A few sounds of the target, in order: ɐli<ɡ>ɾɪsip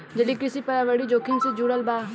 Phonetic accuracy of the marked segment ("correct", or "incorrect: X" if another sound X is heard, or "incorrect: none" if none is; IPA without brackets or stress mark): incorrect: k